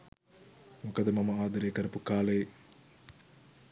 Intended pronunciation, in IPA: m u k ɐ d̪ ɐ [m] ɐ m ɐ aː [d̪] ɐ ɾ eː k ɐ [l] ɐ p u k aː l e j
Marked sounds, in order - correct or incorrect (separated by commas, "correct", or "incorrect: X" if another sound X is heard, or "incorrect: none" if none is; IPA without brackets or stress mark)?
correct, correct, incorrect: ɾ